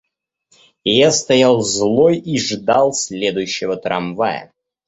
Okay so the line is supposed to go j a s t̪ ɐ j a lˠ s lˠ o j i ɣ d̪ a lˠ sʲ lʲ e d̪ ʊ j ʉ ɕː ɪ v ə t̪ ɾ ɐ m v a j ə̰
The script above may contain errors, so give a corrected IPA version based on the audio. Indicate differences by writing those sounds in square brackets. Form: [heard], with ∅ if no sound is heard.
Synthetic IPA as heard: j a s t̪ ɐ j a lˠ [z] lˠ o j i [ʐ] d̪ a lˠ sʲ lʲ e d̪ ʊ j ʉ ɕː ɪ v ə t̪ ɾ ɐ m v a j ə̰